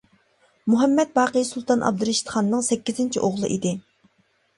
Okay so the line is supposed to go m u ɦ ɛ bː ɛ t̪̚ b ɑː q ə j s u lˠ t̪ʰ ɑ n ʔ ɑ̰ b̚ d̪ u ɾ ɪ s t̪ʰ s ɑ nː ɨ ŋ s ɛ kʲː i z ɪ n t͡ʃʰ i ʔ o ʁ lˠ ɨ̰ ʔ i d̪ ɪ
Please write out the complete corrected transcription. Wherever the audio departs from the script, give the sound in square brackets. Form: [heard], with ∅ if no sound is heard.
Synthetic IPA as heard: m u ɦ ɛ [mː] ɛ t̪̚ b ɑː q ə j s u lˠ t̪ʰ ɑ n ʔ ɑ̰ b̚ d̪ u ɾ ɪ [ʃ] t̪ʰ [χ] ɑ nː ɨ ŋ s ɛ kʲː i z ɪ n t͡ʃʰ i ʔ o ʁ lˠ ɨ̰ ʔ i d̪ ɪ